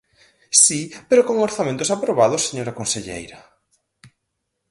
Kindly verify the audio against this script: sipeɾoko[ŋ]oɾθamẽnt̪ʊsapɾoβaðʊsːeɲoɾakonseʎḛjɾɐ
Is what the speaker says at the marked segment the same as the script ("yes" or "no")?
yes